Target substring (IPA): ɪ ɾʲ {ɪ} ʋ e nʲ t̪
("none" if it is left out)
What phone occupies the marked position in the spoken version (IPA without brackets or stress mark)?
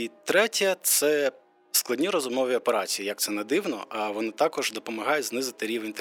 i